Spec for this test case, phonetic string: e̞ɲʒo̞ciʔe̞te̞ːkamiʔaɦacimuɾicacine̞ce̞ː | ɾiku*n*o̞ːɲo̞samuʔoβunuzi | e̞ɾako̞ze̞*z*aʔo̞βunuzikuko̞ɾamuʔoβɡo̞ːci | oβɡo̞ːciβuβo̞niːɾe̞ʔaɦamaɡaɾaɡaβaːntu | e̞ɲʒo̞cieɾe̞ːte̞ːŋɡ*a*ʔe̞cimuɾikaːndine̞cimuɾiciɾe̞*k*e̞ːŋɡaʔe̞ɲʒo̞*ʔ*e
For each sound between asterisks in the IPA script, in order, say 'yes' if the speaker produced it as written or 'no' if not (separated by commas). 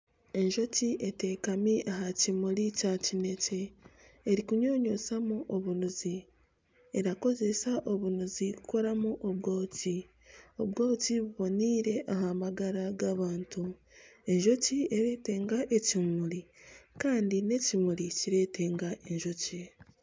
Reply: no, no, yes, no, no